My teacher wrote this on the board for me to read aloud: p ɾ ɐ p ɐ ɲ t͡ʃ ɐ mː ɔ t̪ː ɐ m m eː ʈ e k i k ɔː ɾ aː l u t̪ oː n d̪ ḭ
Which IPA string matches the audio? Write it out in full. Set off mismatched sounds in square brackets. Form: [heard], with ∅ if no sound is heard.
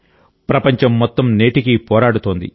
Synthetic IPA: p ɾ ɐ p ɐ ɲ t͡ʃ ɐ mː ɔ t̪ː ɐ m [n] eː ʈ [i] k i [p] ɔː ɾ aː [ɽ] u t̪ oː n d̪ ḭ